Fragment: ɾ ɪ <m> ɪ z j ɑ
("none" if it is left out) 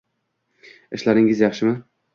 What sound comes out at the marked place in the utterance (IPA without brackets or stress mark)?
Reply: ŋ